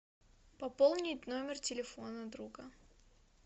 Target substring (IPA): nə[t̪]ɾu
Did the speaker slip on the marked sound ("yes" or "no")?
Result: yes